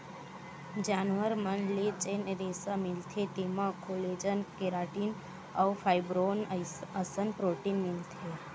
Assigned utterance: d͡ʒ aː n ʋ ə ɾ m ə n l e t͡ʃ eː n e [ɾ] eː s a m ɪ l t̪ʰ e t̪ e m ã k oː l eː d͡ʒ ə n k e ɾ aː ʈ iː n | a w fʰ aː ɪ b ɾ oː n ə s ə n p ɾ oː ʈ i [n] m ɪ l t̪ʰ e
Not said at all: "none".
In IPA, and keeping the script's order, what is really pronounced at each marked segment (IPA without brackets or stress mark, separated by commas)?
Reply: ɾ, n